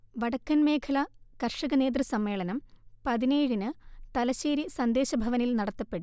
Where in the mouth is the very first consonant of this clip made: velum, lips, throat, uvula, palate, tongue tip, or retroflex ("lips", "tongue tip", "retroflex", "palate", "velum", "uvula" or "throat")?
lips